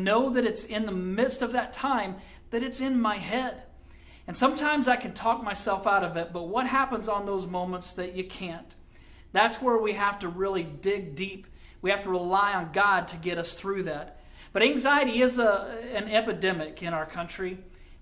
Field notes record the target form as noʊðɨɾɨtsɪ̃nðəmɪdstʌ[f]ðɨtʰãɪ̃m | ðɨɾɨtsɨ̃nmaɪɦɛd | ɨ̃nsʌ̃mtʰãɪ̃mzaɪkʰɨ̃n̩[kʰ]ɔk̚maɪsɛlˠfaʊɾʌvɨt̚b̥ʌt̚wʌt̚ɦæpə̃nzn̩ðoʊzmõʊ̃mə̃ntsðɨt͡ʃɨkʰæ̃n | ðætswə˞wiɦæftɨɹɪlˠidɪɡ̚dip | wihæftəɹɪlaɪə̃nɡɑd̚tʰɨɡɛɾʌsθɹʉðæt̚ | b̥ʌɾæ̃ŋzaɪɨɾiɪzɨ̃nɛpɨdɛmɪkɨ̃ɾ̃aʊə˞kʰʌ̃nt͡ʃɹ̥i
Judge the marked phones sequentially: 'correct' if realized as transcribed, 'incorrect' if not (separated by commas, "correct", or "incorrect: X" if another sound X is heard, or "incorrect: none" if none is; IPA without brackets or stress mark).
incorrect: v, incorrect: tʰ